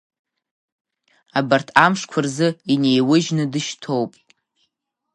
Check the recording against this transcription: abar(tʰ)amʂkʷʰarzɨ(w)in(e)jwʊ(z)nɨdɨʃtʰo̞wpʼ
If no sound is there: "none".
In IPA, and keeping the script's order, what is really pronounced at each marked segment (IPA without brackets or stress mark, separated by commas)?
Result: tʰ, none, e, ʒ